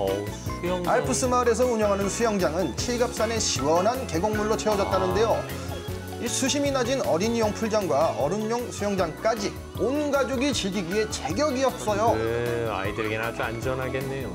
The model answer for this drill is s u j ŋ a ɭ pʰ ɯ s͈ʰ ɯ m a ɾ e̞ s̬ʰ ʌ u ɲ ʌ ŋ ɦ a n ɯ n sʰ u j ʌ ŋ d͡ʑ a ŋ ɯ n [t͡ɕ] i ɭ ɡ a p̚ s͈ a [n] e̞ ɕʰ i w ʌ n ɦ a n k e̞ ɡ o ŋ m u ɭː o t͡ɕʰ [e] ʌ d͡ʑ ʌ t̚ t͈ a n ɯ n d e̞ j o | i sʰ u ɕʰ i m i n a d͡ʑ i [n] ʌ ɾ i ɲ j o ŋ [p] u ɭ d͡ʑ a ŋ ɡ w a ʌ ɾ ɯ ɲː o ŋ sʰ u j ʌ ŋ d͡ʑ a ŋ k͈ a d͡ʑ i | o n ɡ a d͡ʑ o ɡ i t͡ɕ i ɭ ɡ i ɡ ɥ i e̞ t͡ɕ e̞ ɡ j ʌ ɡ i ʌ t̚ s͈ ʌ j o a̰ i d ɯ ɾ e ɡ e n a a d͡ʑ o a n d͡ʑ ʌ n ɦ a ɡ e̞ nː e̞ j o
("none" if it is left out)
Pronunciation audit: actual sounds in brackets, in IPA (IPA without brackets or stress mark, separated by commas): t͡ɕʰ, n, e, n, pʰ